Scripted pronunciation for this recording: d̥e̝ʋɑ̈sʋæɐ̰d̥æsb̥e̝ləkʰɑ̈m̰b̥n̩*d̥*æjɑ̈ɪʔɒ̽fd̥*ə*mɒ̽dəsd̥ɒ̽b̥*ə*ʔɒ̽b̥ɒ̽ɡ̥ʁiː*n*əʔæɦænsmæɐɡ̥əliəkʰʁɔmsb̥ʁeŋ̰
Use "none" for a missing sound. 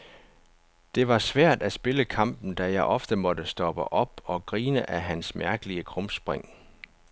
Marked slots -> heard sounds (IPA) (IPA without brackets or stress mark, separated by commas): d̥, ə, ə, n